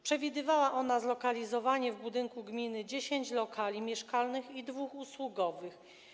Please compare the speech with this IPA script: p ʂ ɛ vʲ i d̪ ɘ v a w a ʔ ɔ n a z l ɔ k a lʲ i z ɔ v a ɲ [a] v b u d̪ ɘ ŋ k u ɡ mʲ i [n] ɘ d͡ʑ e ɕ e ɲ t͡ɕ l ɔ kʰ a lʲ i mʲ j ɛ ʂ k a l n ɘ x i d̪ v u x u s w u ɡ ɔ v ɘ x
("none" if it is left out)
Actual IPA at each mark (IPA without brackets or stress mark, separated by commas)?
ɛ, n